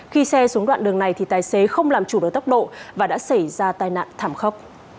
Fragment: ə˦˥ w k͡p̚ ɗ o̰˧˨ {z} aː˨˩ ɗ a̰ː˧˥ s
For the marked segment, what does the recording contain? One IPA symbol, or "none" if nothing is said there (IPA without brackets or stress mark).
v